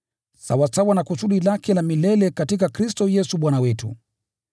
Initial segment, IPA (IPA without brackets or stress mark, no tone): s